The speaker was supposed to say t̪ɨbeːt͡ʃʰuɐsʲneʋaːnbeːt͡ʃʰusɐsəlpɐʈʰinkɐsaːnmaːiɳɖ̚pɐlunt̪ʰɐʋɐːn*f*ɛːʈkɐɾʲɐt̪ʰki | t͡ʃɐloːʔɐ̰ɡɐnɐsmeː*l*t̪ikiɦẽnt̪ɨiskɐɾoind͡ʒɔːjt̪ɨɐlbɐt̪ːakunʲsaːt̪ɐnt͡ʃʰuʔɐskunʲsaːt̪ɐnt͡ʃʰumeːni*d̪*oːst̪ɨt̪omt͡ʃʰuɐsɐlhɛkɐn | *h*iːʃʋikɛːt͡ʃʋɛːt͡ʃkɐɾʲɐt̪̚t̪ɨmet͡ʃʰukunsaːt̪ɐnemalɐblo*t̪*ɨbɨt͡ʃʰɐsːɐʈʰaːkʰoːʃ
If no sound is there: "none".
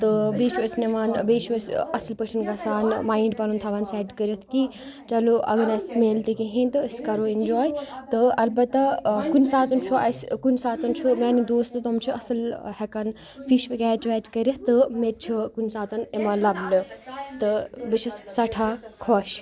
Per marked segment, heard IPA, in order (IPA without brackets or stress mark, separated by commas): s, l, d̪, f, t̪